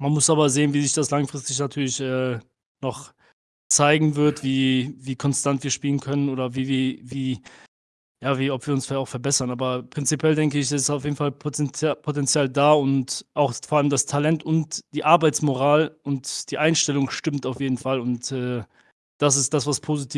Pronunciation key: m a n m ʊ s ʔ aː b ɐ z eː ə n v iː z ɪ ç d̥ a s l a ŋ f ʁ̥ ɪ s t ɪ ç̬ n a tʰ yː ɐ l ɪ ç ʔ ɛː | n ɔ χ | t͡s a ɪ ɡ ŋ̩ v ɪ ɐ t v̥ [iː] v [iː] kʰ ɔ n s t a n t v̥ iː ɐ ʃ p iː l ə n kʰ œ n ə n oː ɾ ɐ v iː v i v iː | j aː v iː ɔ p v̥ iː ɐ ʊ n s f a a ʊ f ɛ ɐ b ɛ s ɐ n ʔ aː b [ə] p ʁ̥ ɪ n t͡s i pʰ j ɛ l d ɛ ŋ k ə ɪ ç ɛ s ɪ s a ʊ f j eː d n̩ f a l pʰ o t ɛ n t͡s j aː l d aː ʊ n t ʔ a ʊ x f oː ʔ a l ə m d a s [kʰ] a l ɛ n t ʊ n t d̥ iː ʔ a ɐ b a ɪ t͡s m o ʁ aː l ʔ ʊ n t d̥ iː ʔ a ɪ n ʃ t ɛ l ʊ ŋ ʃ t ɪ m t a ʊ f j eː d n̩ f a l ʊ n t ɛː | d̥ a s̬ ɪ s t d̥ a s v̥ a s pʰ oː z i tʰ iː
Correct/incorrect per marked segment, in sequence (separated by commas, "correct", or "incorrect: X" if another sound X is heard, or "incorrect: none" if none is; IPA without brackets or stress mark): correct, correct, incorrect: ɐ, incorrect: tʰ